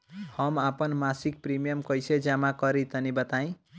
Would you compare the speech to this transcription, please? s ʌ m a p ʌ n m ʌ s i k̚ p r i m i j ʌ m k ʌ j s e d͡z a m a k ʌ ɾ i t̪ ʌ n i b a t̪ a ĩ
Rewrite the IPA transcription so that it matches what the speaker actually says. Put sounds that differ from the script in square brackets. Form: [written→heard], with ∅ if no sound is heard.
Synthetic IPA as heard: [s→h] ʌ m a p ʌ n m [ʌ→a] s i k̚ p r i m i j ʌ m k ʌ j s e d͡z a m a k ʌ ɾ i t̪ ʌ n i b [a→ʌ] t̪ a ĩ